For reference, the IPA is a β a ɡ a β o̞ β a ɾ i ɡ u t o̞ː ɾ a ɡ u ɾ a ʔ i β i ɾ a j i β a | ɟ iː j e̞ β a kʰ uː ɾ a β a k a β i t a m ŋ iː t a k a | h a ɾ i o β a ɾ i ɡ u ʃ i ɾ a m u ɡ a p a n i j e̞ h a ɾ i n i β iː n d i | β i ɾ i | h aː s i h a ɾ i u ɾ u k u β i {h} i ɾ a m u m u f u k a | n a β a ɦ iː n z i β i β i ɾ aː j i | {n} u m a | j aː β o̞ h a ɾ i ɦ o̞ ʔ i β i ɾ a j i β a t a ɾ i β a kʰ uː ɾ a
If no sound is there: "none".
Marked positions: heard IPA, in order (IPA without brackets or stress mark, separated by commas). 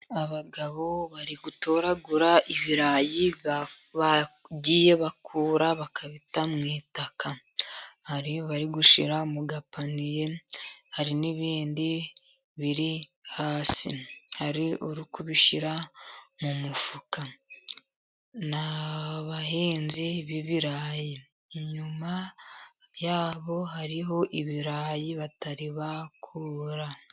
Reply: ʃ, ɲ